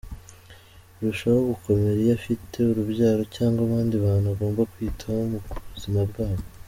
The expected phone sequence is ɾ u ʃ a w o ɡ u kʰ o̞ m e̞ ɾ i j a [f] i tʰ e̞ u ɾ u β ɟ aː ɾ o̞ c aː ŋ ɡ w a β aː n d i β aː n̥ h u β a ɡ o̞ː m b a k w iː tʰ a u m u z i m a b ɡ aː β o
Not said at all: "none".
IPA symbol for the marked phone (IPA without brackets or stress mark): f